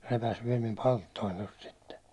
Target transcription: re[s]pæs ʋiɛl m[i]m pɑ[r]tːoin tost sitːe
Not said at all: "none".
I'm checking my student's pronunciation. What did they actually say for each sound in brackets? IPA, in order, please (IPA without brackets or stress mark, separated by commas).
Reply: none, i, l